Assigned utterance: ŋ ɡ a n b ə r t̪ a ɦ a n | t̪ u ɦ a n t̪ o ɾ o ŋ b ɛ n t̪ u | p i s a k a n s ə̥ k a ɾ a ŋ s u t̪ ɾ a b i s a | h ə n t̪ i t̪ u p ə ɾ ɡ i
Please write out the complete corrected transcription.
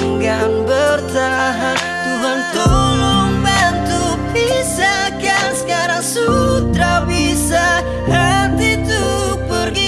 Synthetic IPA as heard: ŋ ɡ a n b ə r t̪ a ɦ a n | t̪ u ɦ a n t̪ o l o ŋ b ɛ n t̪ u | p i s a k a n s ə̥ k a ɾ a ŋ s u t̪ ɾ a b i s a | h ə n t̪ i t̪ u p ə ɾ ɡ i